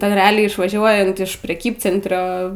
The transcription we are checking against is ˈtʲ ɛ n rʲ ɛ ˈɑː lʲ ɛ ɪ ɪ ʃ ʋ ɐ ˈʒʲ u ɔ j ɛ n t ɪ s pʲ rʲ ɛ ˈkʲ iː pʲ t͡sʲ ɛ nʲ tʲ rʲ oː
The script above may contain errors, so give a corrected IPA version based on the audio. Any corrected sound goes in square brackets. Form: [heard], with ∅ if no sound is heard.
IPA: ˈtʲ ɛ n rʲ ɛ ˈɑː lʲ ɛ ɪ ɪ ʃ ʋ ɐ ˈʒʲ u ɔ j ɛ n t ɪ [ʃ] pʲ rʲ ɛ ˈkʲ iː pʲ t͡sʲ ɛ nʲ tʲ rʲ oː